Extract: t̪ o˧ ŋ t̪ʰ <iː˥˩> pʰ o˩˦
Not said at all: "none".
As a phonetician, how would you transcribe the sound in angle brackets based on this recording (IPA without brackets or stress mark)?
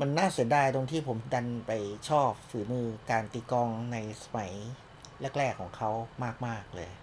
iː˥˩